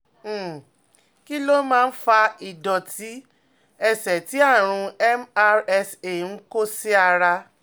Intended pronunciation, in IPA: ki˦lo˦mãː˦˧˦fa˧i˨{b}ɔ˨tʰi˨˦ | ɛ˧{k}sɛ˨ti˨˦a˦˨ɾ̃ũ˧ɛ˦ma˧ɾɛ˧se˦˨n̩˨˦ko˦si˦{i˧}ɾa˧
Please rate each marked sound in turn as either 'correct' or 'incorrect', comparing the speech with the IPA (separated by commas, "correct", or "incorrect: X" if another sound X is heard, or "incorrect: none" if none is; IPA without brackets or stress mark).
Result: incorrect: d, incorrect: none, incorrect: a˧